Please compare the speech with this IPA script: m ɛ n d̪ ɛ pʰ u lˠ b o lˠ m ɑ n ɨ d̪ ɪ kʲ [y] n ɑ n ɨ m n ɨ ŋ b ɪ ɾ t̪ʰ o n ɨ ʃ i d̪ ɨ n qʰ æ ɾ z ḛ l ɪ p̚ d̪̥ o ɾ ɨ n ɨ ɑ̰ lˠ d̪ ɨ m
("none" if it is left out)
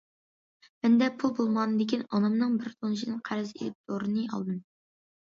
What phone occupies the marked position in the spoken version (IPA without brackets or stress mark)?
i